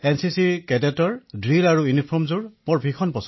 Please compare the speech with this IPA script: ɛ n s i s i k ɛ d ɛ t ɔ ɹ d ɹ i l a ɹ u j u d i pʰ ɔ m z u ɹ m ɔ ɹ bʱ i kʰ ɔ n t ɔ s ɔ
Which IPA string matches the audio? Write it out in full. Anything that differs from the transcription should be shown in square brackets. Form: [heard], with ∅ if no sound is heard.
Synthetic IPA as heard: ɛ n s i s i k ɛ d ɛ t ɔ ɹ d ɹ i l a ɹ u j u [n] i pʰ ɔ m z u ɹ m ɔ ɹ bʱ i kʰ ɔ n [p] ɔ s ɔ